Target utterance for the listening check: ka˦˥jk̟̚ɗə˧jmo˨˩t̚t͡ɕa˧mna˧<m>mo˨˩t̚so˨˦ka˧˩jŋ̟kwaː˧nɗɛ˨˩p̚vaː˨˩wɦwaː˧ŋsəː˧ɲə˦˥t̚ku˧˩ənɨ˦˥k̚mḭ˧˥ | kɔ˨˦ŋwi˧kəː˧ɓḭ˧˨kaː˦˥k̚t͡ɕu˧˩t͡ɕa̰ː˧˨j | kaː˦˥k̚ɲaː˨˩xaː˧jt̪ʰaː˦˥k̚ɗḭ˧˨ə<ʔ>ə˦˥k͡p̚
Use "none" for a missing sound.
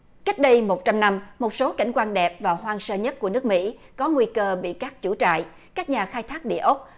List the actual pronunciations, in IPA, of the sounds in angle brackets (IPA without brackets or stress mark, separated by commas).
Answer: m, ʔ